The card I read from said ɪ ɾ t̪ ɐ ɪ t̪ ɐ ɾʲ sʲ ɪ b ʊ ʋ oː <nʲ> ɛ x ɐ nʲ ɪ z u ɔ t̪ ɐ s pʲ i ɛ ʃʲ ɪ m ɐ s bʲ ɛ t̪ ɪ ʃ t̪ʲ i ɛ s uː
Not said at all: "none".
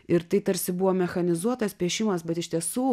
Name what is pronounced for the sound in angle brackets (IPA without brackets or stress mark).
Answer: mʲ